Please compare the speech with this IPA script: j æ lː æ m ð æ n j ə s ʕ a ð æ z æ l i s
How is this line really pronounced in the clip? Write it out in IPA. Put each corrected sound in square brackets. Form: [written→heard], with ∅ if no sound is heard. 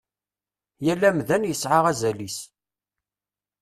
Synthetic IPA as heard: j æ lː æ m ð æ n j ə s ʕ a [ð→ʁ] æ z æ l i s